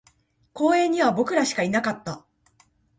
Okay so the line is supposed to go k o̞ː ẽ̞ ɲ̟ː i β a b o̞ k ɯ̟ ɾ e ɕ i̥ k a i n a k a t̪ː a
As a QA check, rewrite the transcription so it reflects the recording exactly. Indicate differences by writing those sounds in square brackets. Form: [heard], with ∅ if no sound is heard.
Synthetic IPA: k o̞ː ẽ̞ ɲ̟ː i β a b o̞ k ɯ̟ ɾ [a] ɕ i̥ k a i n a k a t̪ː a